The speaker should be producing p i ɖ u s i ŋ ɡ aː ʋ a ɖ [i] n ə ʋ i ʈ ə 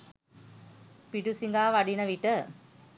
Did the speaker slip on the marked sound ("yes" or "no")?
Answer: no